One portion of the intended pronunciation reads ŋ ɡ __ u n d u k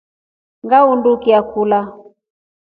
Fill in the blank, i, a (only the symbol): a